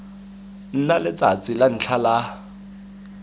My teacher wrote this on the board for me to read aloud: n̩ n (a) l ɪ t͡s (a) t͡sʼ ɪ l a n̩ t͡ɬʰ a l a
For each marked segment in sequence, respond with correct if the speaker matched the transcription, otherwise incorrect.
correct, correct

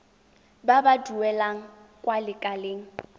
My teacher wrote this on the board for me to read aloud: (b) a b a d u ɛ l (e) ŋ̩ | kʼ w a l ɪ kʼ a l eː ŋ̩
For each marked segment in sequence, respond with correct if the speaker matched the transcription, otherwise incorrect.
correct, incorrect

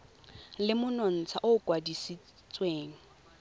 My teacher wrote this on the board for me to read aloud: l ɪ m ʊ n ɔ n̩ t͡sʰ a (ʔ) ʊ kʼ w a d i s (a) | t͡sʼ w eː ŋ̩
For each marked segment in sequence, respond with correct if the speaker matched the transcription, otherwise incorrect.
correct, incorrect

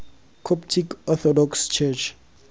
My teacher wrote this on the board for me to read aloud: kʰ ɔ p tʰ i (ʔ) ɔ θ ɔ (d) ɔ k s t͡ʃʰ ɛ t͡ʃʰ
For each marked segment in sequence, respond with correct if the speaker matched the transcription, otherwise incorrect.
incorrect, correct

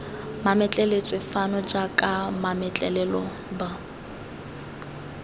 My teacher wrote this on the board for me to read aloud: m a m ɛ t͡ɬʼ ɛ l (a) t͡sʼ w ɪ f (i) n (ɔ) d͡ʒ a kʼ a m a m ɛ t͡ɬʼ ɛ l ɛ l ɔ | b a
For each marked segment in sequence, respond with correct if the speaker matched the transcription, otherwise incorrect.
incorrect, incorrect, correct

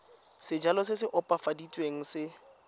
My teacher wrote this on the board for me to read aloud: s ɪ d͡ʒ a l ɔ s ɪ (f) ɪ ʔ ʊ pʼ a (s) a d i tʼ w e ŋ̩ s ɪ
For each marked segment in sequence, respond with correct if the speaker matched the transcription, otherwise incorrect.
incorrect, incorrect

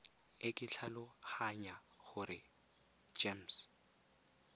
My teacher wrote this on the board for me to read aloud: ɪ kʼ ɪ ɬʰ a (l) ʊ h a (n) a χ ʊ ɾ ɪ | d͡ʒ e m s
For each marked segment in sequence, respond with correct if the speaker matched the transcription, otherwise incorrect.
correct, incorrect

